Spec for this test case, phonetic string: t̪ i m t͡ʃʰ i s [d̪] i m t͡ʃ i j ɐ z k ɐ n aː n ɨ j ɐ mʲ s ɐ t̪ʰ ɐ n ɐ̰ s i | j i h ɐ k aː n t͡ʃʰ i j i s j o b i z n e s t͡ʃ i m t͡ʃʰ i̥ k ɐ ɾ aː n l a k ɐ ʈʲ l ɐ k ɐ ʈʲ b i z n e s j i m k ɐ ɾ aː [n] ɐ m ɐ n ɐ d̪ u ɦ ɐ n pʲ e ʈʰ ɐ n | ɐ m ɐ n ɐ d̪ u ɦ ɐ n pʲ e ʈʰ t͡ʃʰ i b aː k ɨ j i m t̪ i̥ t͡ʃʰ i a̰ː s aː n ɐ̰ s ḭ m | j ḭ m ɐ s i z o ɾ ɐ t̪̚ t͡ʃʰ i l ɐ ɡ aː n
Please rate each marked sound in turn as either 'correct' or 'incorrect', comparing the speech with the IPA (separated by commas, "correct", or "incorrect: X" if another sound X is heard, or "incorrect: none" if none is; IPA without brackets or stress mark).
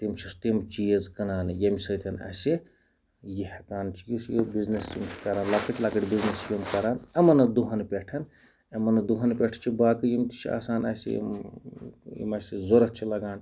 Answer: incorrect: t̪, correct